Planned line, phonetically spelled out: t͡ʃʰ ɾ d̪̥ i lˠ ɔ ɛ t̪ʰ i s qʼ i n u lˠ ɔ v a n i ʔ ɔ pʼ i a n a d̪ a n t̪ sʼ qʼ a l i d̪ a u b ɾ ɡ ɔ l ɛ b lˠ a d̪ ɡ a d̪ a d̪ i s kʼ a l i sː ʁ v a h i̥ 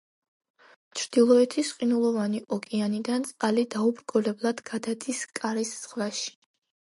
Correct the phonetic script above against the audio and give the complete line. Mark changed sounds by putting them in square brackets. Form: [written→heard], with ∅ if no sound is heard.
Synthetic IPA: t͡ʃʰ ɾ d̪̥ i lˠ ɔ ɛ t̪ʰ i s qʼ i n u lˠ ɔ v a n i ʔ ɔ [pʼ→kʼ] i a n [a→i] d̪ a n t̪ sʼ qʼ a l i d̪ a u b ɾ ɡ ɔ l ɛ b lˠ a d̪ ɡ a d̪ a d̪ i s kʼ a [l→ɾ] i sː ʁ v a [h→ʃ] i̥